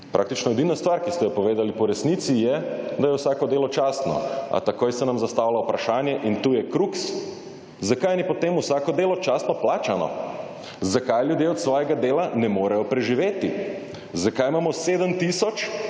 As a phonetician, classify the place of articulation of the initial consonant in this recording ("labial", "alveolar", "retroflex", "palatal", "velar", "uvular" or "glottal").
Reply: labial